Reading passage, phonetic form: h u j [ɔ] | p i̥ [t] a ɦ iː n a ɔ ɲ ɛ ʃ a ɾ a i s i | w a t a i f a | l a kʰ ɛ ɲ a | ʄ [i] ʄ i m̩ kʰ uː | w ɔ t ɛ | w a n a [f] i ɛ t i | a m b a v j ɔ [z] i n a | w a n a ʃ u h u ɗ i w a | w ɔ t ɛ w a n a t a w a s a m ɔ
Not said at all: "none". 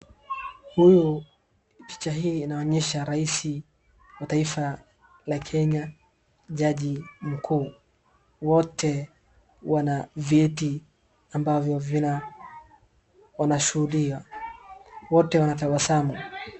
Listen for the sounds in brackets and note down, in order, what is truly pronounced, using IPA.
u, t͡ʃ, a, v, v

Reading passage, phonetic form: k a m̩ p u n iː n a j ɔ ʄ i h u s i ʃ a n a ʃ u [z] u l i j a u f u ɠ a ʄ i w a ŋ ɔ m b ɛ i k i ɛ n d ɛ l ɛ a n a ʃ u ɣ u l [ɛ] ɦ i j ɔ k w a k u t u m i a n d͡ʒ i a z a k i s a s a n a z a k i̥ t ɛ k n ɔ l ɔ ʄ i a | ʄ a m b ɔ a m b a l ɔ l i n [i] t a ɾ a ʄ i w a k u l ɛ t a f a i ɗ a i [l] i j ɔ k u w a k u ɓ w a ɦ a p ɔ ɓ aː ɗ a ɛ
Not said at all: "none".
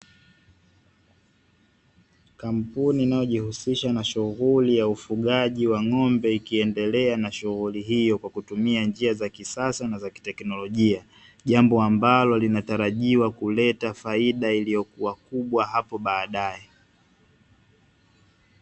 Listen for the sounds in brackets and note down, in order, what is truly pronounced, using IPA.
ɣ, i, a, l

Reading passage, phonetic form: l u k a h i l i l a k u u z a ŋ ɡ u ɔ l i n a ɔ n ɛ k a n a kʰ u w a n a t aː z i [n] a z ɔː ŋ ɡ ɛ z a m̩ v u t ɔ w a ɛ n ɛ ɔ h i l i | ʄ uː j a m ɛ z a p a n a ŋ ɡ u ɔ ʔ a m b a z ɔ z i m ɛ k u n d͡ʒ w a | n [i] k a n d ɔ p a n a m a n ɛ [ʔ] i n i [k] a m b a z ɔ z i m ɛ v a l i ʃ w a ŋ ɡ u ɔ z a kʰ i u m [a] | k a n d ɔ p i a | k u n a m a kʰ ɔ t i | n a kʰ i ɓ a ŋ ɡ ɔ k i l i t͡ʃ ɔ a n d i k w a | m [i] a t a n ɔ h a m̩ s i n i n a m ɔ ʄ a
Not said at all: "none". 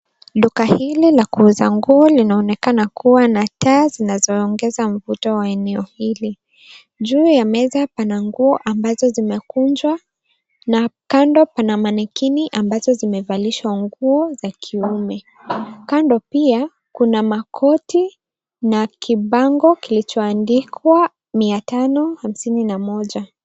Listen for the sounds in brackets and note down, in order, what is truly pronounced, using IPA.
n, a, k, ʔ, ɛ, i

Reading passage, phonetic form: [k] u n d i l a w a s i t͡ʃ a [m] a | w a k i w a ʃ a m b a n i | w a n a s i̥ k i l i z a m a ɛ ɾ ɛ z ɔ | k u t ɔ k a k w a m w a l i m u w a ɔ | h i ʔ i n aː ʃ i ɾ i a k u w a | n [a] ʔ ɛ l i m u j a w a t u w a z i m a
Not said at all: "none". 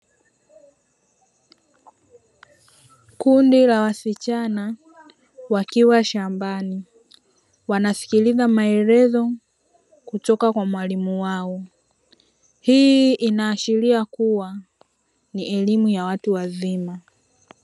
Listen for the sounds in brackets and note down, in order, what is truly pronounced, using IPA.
k, n, i

